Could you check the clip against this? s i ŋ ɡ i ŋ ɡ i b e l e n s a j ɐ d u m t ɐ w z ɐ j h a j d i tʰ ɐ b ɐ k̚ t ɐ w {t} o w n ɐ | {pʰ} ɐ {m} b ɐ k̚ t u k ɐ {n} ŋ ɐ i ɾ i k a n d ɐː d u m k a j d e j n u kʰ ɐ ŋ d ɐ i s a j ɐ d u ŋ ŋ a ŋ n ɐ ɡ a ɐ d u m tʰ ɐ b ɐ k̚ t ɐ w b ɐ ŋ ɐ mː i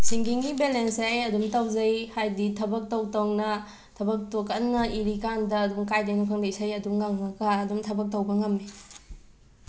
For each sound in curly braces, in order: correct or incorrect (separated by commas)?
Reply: correct, incorrect, incorrect, correct